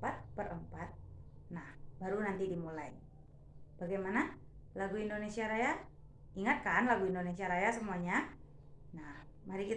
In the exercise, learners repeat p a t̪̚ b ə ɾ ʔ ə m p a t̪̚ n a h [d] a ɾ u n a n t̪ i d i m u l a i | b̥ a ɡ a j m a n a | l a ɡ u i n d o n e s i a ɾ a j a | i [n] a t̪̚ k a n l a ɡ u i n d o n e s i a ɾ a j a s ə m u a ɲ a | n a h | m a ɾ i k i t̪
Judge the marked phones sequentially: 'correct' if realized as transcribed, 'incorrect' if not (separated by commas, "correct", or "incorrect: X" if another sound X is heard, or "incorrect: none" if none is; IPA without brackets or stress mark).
incorrect: b, incorrect: ŋ